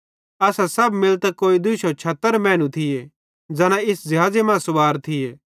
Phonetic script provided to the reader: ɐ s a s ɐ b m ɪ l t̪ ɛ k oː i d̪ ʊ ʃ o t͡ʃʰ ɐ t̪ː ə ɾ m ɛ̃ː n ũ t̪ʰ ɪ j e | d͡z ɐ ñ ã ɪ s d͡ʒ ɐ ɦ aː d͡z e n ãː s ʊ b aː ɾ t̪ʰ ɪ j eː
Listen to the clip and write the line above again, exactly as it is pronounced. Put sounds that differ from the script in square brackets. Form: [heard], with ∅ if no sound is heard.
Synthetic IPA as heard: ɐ s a s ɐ b m ɪ l t̪ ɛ k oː i d̪ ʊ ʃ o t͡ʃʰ ɐ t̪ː ə ɾ m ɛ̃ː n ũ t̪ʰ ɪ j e | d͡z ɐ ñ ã ɪ s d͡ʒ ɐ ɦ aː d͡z e [m] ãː s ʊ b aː ɾ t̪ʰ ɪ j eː